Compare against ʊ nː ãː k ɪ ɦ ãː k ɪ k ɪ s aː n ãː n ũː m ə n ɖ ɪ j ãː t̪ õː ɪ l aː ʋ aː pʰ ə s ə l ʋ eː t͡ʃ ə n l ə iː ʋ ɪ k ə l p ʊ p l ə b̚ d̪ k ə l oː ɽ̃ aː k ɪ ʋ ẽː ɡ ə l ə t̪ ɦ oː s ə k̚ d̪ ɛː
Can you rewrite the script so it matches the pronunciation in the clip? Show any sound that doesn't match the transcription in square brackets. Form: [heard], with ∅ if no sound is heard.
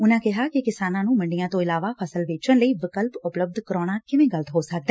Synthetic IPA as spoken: ʊ [n] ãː k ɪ ɦ [aː] k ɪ k ɪ s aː n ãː n ũː m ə [ɳ] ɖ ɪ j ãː t̪ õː ɪ l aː ʋ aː pʰ ə s ə l ʋ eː t͡ʃ ə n l ə iː ʋ ɪ k ə l p ʊ p l ə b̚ d̪ k ə [ɾ] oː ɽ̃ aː k ɪ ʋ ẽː ɡ ə l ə t̪ ɦ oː s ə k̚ d̪ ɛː